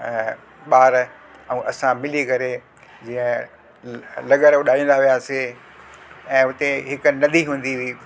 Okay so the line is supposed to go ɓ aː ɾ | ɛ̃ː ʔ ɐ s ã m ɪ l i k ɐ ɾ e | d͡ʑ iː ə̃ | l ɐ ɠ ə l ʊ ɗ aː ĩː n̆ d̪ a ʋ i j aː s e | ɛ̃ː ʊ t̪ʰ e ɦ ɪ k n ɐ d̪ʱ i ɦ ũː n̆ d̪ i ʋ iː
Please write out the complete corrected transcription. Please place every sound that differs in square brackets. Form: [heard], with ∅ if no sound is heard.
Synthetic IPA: ɓ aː ɾ | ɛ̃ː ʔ ɐ s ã m ɪ l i k ɐ ɾ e | d͡ʑ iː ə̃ | l ɐ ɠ ə [ɾ] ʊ ɗ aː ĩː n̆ d̪ a ʋ i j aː s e | ɛ̃ː ʊ [t̪] e ɦ ɪ k n ɐ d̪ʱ i ɦ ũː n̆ d̪ i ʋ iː

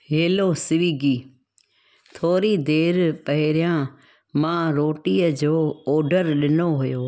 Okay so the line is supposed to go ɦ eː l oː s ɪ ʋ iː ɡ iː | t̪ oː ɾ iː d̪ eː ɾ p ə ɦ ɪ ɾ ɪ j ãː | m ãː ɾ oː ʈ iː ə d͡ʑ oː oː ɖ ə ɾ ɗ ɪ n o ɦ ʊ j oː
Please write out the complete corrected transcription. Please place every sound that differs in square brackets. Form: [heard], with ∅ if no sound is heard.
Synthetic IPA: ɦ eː l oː s ɪ ʋ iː ɡ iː | [t̪ʰ] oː ɾ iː d̪ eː ɾ p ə ɦ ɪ ɾ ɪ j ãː | m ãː ɾ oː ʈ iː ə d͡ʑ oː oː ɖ ə ɾ ɗ ɪ n o ɦ ʊ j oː

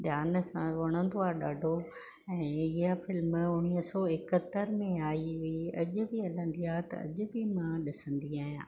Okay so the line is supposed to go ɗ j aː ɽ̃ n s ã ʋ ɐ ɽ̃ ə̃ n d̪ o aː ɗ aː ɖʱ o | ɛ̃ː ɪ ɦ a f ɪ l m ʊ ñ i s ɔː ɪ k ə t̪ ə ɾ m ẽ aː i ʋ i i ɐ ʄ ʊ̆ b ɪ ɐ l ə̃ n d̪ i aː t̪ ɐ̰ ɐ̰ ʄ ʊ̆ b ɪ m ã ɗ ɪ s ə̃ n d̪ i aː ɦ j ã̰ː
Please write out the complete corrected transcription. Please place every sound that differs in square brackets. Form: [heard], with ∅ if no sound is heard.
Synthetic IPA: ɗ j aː [∅] n s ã ʋ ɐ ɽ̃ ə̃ n d̪ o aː ɗ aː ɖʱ o | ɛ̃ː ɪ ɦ a f ɪ l m ʊ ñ i s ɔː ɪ k ə t̪ ə ɾ m ẽ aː i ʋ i i ɐ ʄ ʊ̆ b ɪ ɐ l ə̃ n d̪ i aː t̪ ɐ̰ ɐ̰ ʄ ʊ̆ b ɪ m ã ɗ ɪ s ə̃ n d̪ i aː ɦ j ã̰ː

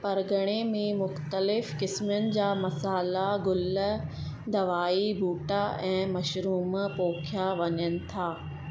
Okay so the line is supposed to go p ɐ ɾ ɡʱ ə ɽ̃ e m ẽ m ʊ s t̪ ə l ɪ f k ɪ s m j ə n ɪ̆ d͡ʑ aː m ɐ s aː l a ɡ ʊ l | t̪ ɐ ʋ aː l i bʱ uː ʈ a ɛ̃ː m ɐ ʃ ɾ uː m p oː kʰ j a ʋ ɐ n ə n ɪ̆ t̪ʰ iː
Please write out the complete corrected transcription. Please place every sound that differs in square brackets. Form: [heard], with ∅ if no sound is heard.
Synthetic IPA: p ɐ ɾ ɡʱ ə ɽ̃ e m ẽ m ʊ [x] t̪ ə l ɪ f k ɪ s m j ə n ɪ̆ d͡ʑ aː m ɐ s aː l a ɡ ʊ l | [d̪] ɐ ʋ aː [∅] i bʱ uː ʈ a ɛ̃ː m ɐ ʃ ɾ uː m p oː kʰ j a ʋ ɐ [ɲ] ə n ɪ̆ t̪ʰ [aː]

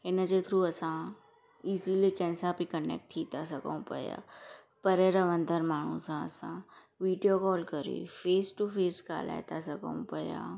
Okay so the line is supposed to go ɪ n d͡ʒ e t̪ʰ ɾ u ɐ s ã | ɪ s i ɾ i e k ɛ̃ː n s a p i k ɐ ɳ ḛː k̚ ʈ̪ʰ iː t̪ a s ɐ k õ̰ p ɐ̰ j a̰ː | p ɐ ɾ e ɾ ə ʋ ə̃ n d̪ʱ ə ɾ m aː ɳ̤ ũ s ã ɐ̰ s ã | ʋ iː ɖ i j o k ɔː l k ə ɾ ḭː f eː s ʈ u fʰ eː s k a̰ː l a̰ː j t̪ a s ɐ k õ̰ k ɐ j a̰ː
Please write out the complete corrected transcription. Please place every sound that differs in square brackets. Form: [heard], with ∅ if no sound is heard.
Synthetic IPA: ɪ n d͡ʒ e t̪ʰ ɾ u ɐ s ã | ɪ s i [l] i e k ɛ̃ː n s a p i k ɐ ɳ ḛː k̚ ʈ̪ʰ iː t̪ a s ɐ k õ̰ p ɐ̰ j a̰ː | p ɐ ɾ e ɾ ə ʋ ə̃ n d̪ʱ ə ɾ m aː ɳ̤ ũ s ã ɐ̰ s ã | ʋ iː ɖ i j o k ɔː l k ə ɾ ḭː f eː s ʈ u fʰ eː s k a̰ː l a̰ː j t̪ a s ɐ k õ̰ [p] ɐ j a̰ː

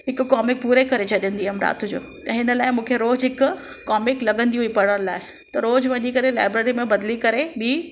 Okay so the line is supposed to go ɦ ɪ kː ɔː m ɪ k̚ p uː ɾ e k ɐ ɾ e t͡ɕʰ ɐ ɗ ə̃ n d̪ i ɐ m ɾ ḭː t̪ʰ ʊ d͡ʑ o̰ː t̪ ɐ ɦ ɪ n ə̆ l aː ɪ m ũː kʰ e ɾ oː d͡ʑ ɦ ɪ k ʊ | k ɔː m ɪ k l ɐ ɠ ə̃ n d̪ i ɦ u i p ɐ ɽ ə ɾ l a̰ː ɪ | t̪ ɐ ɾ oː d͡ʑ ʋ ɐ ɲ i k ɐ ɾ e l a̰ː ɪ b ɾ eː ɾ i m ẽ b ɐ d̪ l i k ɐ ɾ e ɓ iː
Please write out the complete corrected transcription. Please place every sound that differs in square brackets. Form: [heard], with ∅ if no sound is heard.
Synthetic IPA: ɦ ɪ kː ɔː m ɪ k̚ p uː ɾ e k ɐ ɾ e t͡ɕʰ ɐ ɗ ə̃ n d̪ i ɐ m ɾ [a̰ː] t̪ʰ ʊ d͡ʑ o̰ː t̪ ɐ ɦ ɪ n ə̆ l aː ɪ m ũː kʰ e ɾ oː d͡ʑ ɦ ɪ k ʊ | k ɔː m ɪ k l ɐ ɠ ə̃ n d̪ i ɦ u i p ɐ ɽ ə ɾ l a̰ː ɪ | t̪ ɐ ɾ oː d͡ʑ ʋ ɐ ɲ i k ɐ ɾ e l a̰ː ɪ b ɾ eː ɾ i m ẽ b ɐ d̪ l i k ɐ ɾ e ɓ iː

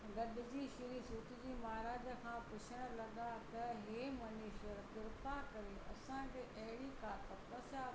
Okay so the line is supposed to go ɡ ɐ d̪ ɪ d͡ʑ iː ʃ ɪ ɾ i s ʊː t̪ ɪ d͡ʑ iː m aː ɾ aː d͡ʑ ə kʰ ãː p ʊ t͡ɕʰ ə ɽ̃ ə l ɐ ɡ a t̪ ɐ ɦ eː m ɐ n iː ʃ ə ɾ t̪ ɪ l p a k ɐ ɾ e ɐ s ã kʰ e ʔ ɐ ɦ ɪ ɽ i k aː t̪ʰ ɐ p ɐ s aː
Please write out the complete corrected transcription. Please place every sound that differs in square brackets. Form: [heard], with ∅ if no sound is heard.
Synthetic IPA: ɡ ɐ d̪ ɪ d͡ʑ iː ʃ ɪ ɾ i s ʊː t̪ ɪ d͡ʑ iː m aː ɾ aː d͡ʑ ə kʰ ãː p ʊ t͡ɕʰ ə ɽ̃ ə l ɐ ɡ a t̪ ɐ ɦ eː m ɐ n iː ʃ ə ɾ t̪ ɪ [ɾ] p a k ɐ ɾ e ɐ s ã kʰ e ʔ ɐ ɦ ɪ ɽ i k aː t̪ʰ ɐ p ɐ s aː

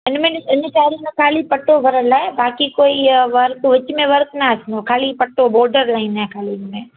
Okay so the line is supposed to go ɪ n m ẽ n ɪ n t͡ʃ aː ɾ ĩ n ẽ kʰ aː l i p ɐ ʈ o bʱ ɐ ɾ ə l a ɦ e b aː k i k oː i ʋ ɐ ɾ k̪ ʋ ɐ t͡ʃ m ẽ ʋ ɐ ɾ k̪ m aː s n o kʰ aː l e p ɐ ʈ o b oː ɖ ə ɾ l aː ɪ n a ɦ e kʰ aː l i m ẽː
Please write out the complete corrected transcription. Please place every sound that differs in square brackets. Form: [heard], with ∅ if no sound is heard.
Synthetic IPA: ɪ n m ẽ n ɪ n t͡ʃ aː ɾ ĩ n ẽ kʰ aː l i p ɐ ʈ o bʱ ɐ ɾ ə l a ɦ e b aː k i k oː i ʋ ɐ ɾ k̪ ʋ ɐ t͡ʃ m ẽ ʋ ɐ ɾ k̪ [n] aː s n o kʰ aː l [i] p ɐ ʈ o b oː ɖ ə ɾ l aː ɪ n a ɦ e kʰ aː l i m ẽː

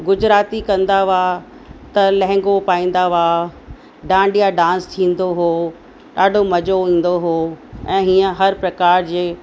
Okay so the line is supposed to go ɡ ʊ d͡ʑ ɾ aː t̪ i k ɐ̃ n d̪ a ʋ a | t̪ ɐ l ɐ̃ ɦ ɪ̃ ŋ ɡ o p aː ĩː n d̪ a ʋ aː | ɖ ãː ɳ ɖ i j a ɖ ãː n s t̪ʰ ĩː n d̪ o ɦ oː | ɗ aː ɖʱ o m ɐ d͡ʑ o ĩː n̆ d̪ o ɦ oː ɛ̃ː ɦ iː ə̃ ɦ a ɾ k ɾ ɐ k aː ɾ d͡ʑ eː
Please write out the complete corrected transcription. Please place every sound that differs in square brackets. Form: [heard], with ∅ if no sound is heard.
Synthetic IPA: ɡ ʊ d͡ʑ ɾ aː t̪ i k ɐ̃ n d̪ a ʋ a | t̪ ɐ l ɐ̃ ɦ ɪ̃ ŋ ɡ o p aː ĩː n d̪ a ʋ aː | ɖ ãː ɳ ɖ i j a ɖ ãː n s t̪ʰ ĩː n d̪ o ɦ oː | ɗ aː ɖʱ o m ɐ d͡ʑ o ĩː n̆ d̪ o ɦ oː ɛ̃ː ɦ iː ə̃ ɦ [ɐ] ɾ [p] ɾ ɐ k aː ɾ d͡ʑ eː

